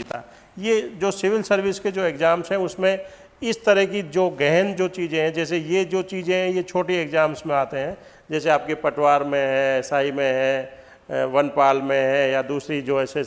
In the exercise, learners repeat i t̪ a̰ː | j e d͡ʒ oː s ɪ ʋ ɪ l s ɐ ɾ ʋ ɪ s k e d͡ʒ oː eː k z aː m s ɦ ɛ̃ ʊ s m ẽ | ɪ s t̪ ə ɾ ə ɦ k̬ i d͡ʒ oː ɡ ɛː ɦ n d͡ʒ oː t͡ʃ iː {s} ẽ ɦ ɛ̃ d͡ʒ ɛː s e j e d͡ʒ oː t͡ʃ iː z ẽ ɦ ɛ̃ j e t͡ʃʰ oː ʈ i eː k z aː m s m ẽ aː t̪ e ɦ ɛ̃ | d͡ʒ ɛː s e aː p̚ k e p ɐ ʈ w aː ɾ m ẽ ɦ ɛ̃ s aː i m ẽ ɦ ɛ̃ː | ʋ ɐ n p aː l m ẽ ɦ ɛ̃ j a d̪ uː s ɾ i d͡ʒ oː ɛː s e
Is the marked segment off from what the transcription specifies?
yes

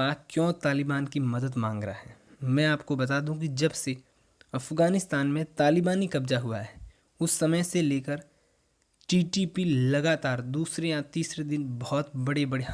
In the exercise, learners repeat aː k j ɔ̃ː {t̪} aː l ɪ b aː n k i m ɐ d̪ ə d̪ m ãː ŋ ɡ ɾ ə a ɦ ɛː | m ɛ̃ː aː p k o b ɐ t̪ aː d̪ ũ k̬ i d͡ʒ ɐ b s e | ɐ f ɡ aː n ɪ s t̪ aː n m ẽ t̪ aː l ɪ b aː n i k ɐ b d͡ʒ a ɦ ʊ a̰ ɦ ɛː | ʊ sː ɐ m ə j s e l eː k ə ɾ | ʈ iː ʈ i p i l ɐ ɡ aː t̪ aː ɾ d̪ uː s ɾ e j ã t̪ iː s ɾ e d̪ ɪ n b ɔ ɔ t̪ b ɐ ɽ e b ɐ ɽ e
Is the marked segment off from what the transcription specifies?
no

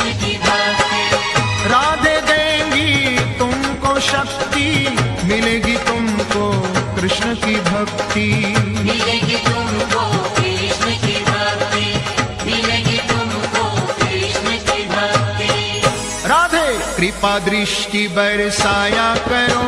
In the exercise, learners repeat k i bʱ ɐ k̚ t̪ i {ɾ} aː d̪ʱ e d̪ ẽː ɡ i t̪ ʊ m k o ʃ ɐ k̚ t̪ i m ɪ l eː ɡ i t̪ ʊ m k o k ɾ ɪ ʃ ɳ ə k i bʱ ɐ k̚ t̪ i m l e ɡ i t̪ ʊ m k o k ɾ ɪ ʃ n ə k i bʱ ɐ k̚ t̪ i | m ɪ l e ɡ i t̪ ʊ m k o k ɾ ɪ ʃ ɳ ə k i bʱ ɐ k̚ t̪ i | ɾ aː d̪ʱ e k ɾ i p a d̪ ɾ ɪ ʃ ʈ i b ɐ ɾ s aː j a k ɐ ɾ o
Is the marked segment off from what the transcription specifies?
no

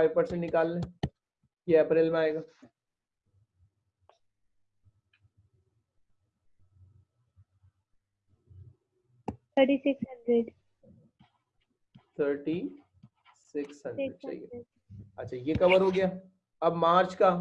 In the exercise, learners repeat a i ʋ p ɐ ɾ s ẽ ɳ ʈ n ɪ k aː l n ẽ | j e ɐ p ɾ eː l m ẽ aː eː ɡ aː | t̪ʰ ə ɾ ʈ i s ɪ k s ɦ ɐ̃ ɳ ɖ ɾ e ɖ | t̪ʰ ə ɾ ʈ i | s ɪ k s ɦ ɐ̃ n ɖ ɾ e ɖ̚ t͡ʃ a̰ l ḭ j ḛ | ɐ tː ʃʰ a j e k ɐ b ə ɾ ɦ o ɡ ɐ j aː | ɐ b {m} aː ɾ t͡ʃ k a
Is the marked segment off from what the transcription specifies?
no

